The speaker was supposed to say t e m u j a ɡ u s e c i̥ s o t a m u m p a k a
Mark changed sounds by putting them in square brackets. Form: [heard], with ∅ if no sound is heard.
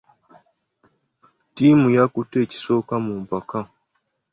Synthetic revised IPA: t [i] m u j a [k] u [t] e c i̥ s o [k] a m u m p a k a